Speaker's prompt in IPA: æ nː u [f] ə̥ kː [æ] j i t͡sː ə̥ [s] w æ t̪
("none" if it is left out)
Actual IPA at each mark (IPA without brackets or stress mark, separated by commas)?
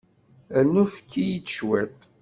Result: f, i, ʃ